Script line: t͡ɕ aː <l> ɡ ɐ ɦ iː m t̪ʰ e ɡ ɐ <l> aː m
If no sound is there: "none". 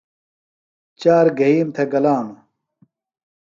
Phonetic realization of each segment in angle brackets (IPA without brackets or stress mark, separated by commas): ɾ, l